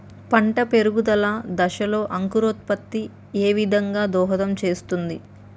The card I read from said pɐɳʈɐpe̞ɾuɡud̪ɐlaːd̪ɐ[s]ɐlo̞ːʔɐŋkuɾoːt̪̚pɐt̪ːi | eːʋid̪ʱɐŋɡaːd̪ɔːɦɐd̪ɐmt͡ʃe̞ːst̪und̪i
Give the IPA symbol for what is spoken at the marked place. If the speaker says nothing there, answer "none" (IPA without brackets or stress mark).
ʃ